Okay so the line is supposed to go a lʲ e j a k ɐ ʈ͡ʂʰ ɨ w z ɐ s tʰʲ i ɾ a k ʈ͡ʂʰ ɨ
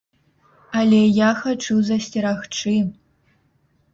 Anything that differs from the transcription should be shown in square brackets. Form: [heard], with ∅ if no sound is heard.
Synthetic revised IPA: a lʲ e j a [x] ɐ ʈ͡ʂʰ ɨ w z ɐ s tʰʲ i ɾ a [x] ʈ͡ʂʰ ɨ

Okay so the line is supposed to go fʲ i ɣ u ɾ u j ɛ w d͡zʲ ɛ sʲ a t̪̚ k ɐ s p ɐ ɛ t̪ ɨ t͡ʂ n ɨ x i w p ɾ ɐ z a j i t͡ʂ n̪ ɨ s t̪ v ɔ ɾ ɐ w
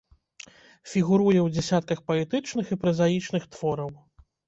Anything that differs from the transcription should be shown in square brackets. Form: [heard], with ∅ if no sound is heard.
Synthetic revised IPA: fʲ i ɣ u ɾ u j ɛ w d͡zʲ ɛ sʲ a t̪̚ k ɐ [x] p ɐ ɛ t̪ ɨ t͡ʂ n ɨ x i [∅] p ɾ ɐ z a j i t͡ʂ n̪ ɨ [x] t̪ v ɔ ɾ ɐ w

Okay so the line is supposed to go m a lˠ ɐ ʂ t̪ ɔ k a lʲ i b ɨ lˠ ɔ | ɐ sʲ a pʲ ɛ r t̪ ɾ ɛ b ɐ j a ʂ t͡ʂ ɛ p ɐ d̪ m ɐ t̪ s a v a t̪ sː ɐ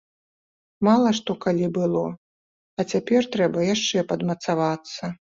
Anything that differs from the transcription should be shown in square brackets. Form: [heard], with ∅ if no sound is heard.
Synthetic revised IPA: m a lˠ ɐ ʂ t̪ ɔ k a lʲ i b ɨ lˠ ɔ | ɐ [t͡sʲ] a pʲ ɛ r t̪ ɾ ɛ b ɐ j a ʂ t͡ʂ ɛ p ɐ d̪ m ɐ t̪ s a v a t̪ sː ɐ

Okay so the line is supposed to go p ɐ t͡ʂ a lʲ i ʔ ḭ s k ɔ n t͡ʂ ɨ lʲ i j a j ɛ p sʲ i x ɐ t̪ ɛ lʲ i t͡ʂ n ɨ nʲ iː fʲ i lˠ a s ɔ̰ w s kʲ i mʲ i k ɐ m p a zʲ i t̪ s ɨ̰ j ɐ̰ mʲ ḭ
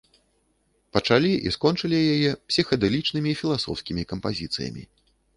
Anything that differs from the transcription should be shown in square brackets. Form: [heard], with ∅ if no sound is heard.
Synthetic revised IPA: p ɐ t͡ʂ a lʲ i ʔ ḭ s k ɔ n t͡ʂ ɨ lʲ i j a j ɛ p sʲ i x ɐ [d̪] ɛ lʲ i t͡ʂ n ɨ [mʲ] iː fʲ i lˠ a s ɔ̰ w s kʲ i mʲ i k ɐ m p a zʲ i t̪ s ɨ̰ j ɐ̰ mʲ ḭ

